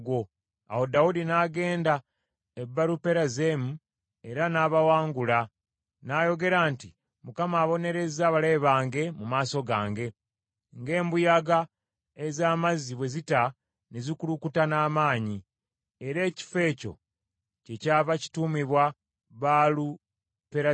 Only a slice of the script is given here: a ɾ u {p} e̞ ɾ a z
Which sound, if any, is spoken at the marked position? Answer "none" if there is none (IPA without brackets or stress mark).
p